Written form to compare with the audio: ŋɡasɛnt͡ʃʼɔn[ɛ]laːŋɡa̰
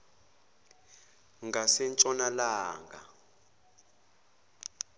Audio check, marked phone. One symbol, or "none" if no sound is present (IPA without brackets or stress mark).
a